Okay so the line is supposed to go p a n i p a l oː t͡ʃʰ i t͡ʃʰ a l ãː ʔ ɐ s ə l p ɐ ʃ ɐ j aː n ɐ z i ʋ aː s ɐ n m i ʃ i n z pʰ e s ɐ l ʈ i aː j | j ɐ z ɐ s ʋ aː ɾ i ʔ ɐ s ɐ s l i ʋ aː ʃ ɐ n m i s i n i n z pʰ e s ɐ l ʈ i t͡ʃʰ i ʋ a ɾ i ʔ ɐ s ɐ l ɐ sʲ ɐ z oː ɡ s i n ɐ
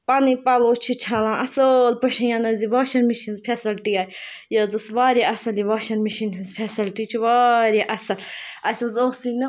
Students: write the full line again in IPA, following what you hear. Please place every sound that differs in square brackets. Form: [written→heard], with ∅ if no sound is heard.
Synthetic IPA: p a n i p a l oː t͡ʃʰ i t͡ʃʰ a l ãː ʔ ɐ s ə l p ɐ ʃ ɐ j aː n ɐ z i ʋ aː [s→ʃ] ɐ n m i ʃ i n z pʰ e s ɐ l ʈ i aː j | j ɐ z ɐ s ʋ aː ɾ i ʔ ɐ s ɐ [s→∅] l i ʋ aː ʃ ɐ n m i [s→ʃ] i n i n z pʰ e s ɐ l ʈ i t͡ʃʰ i ʋ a ɾ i ʔ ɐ s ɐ l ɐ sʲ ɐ z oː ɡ s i n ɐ